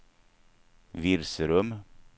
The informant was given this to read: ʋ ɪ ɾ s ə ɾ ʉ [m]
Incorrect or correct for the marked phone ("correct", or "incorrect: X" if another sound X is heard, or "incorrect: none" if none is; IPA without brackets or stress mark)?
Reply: correct